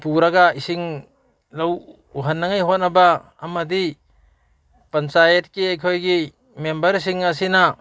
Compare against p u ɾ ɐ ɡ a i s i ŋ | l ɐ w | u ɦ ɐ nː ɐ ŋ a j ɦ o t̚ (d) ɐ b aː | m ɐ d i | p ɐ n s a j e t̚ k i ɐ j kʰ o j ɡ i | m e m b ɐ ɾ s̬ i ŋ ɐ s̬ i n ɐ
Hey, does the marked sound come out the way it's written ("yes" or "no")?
no